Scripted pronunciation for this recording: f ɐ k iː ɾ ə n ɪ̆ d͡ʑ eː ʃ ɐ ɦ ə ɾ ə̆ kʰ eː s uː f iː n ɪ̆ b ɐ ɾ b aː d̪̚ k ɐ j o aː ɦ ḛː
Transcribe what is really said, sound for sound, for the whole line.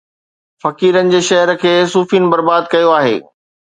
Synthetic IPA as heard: f ɐ k iː ɾ ə n ɪ̆ d͡ʑ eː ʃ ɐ ɦ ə ɾ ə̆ kʰ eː s uː f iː n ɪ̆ b ɐ ɾ b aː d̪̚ k ɐ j o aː ɦ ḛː